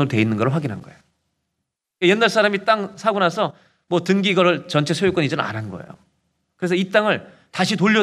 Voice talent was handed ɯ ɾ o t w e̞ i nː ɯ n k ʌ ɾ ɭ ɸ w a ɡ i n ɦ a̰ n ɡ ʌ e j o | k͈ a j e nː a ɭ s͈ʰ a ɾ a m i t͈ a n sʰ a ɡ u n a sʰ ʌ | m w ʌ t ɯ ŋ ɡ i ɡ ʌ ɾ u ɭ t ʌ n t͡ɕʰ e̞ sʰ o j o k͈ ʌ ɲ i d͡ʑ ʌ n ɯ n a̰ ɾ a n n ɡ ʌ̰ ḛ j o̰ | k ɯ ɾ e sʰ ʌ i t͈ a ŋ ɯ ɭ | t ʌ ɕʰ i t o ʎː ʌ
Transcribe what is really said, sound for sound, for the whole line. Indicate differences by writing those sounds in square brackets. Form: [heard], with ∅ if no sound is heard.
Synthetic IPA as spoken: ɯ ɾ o t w e̞ i nː ɯ n [ɡ] ʌ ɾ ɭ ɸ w a ɡ i n ɦ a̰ n ɡ ʌ e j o | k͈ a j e nː a ɭ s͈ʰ a ɾ a m i t͈ a [ŋ] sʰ a ɡ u n a sʰ ʌ | m w ʌ t ɯ ŋ ɡ i ɡ ʌ ɾ [ɯ] ɭ [t͡ɕ] ʌ n t͡ɕʰ e̞ sʰ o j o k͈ ʌ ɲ i d͡ʑ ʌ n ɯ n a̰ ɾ a n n ɡ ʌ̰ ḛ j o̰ | k ɯ ɾ e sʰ ʌ i t͈ a ŋ ɯ ɭ | t [a] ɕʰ i t o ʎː ʌ